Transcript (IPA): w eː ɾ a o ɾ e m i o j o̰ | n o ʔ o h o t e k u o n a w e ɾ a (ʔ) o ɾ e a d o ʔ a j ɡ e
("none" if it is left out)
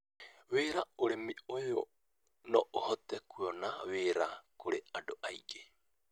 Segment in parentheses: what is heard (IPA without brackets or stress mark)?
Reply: k